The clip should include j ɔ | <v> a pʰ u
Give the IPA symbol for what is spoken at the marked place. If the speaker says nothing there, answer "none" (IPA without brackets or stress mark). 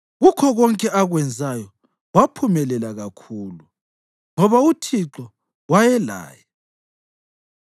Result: w